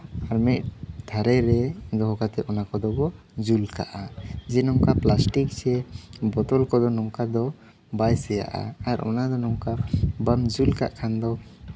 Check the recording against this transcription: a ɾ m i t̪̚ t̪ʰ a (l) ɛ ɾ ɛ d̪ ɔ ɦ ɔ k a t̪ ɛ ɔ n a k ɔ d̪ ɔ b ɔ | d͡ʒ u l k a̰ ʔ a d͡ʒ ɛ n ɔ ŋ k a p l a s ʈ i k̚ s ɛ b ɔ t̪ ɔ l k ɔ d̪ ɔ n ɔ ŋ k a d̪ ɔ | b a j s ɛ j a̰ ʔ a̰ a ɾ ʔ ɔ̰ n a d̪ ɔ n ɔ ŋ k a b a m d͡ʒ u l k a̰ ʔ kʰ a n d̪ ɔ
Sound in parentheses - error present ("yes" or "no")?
yes